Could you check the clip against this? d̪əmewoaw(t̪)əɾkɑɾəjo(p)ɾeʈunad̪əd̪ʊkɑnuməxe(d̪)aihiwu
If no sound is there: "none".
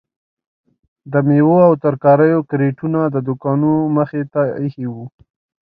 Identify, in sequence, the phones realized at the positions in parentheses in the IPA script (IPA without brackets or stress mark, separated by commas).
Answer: t̪, k, t̪